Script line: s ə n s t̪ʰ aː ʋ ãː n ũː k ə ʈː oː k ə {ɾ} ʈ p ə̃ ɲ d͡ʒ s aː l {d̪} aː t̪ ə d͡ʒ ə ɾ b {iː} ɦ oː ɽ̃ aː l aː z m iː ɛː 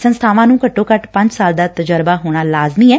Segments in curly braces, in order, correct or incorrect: incorrect: none, correct, incorrect: aː

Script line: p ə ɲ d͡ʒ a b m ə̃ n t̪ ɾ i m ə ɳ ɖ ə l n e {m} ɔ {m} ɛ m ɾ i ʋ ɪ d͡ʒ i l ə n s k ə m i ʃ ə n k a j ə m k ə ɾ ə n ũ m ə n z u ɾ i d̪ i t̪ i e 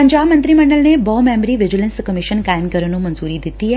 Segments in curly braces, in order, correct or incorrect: incorrect: b, correct

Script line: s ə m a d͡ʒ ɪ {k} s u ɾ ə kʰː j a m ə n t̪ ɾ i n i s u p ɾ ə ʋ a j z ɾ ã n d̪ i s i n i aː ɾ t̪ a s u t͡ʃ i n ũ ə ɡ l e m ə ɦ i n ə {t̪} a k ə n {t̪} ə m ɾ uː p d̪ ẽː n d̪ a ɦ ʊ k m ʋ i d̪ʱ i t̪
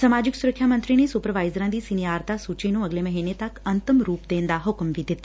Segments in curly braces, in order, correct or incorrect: correct, correct, correct

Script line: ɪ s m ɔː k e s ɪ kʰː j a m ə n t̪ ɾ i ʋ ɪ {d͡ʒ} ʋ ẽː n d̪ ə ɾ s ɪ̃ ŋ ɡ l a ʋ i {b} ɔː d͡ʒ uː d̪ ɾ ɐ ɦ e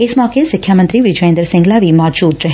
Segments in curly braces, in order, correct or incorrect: correct, incorrect: m

